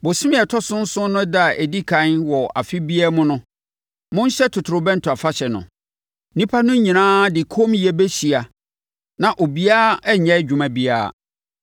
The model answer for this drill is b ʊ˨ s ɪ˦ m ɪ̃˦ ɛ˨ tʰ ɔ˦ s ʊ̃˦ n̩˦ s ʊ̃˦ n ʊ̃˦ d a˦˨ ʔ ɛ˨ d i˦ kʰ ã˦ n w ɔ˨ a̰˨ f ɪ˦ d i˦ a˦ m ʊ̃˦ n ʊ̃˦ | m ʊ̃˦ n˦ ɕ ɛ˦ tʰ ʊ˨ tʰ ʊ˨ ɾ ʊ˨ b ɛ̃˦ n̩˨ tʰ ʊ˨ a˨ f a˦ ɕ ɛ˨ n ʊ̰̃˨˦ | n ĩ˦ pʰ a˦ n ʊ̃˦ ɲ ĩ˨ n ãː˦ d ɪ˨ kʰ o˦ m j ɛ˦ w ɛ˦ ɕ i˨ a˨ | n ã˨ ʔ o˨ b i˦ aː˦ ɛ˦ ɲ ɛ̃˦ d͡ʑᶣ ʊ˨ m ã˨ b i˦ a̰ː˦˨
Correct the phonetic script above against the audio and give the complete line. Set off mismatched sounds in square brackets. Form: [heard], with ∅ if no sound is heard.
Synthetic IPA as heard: b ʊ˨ s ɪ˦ m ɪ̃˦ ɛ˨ tʰ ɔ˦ s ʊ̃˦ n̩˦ s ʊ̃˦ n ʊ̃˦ d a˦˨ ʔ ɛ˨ d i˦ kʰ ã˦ n w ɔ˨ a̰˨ f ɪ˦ [b] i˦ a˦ m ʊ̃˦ n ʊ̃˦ | m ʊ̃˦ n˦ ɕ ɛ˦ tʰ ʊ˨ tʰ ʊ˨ ɾ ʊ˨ b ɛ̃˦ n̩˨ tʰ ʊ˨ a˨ f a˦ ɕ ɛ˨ n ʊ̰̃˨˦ | n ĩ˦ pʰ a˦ n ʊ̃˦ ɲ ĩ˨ n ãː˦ d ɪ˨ kʰ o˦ m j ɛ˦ [b] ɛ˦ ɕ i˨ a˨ | n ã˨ ʔ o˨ b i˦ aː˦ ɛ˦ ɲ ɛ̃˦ d͡ʑᶣ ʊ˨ m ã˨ b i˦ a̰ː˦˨